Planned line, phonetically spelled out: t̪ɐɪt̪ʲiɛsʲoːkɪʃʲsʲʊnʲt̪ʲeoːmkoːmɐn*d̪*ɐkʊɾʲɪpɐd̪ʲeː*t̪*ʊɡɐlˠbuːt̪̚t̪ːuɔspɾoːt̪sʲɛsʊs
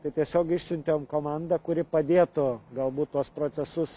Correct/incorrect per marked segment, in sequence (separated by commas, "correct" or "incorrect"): correct, correct